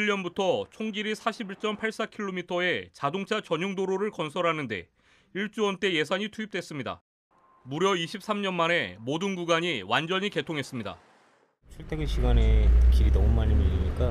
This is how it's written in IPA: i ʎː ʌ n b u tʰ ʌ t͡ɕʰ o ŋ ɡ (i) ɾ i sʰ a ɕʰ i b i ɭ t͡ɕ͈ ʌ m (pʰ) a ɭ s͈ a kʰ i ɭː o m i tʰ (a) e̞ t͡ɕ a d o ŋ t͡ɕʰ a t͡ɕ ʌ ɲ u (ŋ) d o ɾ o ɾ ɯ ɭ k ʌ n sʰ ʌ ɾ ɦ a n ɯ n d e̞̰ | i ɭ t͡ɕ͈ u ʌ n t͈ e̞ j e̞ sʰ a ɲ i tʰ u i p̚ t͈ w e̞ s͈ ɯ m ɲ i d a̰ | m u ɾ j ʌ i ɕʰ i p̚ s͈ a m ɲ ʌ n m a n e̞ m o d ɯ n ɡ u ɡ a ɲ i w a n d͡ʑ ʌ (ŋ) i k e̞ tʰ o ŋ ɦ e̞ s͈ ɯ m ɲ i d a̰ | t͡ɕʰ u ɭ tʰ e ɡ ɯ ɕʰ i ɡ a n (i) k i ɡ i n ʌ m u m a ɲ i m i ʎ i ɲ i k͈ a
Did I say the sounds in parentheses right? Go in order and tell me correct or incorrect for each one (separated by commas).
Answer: correct, correct, incorrect, correct, incorrect, incorrect